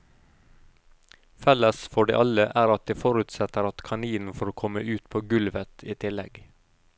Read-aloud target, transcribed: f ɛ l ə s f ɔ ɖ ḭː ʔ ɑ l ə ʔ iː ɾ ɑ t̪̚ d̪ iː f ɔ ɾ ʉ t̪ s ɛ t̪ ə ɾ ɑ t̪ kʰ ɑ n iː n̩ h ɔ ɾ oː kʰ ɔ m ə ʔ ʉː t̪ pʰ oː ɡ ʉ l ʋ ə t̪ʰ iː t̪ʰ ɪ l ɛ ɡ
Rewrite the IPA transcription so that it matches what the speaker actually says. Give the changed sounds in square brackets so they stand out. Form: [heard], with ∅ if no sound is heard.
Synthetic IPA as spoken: f ɛ l ə s f ɔ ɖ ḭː ʔ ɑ l ə ʔ [æː] ɾ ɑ t̪̚ d̪ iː f ɔ ɾ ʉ t̪ s ɛ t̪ ə ɾ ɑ t̪ kʰ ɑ n iː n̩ [f] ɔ ɾ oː kʰ ɔ m ə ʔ ʉː t̪ pʰ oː ɡ ʉ l ʋ ə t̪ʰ iː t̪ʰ ɪ l ɛ ɡ